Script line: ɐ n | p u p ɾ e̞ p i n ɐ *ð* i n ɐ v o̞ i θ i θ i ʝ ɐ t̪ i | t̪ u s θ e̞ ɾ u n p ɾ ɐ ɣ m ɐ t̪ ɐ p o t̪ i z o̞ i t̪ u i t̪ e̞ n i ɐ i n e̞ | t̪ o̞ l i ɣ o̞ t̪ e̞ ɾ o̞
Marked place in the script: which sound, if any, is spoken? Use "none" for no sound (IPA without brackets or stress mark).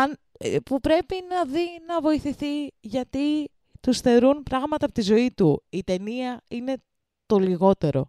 ð